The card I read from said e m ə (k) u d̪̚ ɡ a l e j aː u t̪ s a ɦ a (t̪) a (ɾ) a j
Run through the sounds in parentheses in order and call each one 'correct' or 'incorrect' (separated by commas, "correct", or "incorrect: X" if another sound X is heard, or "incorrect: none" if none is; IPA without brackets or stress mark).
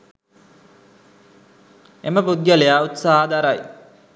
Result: incorrect: p, incorrect: d̪, correct